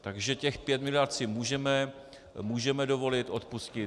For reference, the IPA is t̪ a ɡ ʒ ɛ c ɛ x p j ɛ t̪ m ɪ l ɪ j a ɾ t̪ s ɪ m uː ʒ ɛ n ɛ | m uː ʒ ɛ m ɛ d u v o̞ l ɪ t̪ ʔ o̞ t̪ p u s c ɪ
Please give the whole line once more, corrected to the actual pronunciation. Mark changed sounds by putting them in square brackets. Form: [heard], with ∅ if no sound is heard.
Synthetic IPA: t̪ a ɡ ʒ ɛ c ɛ x p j ɛ t̪ m ɪ l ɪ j a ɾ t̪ s ɪ m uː ʒ ɛ [m] ɛ | m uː ʒ ɛ m ɛ d [o] v o̞ l ɪ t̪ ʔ o̞ t̪ p u s c ɪ